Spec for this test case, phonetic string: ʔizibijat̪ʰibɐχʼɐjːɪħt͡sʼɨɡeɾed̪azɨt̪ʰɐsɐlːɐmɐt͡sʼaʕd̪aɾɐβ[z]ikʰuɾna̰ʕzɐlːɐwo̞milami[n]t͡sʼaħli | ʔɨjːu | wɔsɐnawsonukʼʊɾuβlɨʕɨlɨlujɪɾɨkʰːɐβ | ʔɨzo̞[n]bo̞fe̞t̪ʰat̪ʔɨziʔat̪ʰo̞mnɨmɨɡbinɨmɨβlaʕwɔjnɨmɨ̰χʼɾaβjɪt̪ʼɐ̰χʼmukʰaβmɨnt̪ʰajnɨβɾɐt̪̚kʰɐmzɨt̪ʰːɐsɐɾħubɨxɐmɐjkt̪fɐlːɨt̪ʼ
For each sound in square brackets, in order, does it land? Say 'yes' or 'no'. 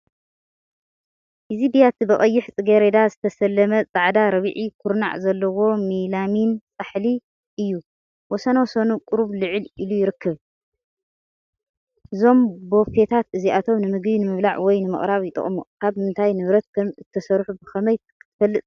no, yes, no

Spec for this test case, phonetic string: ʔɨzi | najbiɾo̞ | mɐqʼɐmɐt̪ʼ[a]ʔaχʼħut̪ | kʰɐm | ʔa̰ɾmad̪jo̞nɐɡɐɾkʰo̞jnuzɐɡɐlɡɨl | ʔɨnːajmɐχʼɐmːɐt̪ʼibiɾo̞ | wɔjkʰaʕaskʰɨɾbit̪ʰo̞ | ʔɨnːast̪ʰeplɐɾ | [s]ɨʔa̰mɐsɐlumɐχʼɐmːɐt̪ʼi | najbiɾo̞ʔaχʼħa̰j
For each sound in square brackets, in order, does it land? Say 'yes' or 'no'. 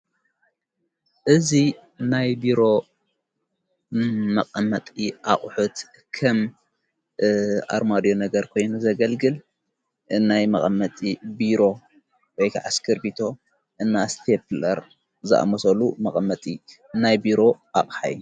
no, no

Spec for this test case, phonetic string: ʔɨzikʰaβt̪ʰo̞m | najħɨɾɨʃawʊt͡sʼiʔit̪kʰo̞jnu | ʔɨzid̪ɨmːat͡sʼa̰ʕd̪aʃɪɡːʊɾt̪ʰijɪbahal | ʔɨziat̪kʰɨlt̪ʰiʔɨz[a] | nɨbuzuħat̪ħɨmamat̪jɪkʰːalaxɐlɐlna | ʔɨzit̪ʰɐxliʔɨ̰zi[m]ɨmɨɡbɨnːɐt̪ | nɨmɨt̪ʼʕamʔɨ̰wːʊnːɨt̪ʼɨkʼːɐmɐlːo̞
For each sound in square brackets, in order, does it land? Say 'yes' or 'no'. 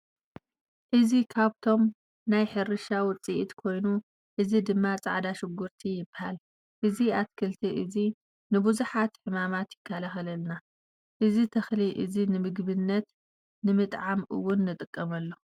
no, no

